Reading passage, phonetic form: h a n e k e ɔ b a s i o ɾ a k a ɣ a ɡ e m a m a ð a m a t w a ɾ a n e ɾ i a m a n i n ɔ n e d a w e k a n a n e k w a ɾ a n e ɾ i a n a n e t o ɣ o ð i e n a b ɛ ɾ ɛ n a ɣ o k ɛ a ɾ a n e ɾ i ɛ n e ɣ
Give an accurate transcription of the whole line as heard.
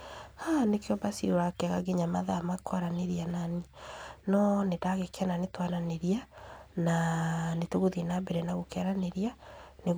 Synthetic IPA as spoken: h a n e k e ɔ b a s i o ɾ a k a ɣ a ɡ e ɲ a m a ð a m a k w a ɾ a n e ɾ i a n a n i n ɔ n e d a ɣ e k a n a n e t w a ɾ a n e ɾ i a n a n e t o ɣ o ð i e n a b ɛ ɾ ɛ n a ɣ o k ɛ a ɾ a n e ɾ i a n e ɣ